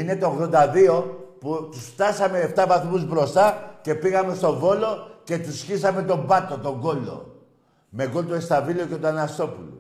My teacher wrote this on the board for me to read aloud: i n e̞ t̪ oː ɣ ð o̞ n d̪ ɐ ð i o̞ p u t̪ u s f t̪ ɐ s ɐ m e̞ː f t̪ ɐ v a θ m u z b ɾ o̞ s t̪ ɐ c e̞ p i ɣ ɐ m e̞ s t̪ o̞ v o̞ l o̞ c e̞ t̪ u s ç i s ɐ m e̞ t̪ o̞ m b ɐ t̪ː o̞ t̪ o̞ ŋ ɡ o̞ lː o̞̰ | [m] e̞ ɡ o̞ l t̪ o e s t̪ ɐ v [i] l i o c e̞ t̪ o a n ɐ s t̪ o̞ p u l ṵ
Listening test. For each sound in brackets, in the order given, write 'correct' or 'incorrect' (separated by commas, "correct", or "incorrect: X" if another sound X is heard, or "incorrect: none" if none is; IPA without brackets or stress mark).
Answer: correct, correct